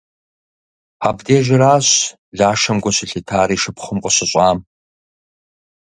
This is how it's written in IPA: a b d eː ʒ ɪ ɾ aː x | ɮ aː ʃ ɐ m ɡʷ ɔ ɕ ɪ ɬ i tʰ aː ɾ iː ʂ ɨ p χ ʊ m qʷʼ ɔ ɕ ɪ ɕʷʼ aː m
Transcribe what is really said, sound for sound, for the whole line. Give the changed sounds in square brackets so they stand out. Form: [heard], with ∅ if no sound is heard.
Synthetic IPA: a b d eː ʒ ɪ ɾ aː [ɕ] | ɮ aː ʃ ɐ m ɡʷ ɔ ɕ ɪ ɬ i tʰ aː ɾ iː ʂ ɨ p χ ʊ m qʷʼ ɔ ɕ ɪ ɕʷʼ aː m